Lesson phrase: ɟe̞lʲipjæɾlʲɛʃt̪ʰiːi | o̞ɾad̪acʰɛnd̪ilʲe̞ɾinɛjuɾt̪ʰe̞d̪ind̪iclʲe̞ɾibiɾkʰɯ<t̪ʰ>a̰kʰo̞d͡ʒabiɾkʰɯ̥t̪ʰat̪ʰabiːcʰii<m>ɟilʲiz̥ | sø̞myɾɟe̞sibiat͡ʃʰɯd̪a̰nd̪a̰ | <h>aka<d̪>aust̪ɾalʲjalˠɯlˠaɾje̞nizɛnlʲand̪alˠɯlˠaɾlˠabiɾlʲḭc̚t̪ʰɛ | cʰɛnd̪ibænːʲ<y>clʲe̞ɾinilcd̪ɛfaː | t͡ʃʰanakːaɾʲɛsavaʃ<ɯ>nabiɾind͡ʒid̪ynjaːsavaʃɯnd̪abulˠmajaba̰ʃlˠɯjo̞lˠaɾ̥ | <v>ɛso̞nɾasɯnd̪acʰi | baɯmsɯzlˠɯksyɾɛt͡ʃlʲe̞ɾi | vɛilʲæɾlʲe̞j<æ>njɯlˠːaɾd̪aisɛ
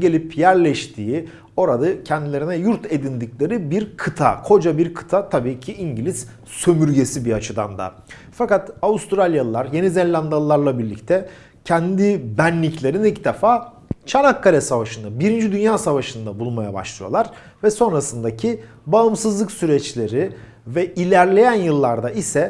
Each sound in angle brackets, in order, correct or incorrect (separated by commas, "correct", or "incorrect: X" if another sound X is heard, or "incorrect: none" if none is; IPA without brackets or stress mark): correct, incorrect: ɲ, incorrect: f, incorrect: t̪, incorrect: i, correct, correct, correct